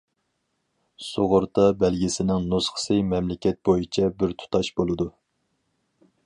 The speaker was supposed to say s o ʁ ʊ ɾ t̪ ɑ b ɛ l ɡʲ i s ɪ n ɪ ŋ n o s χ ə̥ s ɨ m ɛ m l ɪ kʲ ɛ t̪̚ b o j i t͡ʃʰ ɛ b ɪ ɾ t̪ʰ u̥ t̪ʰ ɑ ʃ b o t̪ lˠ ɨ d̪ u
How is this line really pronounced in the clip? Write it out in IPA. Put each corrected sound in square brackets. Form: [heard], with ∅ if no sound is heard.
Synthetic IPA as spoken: s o ʁ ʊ ɾ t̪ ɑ b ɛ l ɡʲ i s ɪ n ɪ ŋ n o s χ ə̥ s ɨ m ɛ m l ɪ kʲ ɛ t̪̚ b o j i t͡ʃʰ ɛ b ɪ ɾ t̪ʰ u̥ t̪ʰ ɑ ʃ b o [∅] lˠ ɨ d̪ u